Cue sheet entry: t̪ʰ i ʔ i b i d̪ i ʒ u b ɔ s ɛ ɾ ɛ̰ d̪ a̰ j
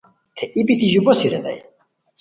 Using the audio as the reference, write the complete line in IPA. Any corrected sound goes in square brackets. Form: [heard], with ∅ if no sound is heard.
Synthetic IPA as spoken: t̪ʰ [ɛ] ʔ i b i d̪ i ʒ u b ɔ s [i] ɾ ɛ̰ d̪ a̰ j